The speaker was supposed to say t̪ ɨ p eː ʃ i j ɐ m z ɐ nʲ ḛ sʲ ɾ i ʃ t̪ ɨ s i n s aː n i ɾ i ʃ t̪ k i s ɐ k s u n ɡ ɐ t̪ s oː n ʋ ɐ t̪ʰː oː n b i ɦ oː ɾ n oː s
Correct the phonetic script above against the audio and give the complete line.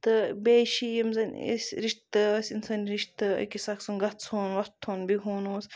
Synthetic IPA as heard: t̪ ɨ b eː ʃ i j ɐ m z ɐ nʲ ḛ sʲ ɾ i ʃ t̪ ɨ s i n s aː n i ɾ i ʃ t̪ k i s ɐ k s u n ɡ ɐ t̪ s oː n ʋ ɐ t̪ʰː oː n b i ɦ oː n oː s